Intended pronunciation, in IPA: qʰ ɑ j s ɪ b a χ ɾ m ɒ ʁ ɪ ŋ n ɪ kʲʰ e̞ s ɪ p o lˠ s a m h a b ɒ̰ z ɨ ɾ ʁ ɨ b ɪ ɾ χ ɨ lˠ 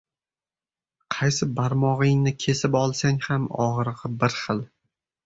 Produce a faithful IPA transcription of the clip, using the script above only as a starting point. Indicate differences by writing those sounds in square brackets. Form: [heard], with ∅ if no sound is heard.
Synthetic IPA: qʰ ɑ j s ɪ b a [∅] ɾ m ɒ ʁ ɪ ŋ n ɪ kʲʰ e̞ s ɪ p [ɒ] lˠ s a [ŋ] h a [m] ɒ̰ [ʁ] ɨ ɾ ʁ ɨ b ɪ ɾ χ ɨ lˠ